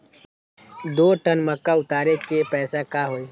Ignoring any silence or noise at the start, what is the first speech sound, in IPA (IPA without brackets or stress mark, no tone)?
d̪